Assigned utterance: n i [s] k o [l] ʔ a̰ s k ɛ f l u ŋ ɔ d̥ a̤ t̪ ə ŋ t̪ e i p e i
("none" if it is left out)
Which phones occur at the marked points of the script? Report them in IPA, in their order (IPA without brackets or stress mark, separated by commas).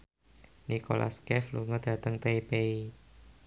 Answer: none, l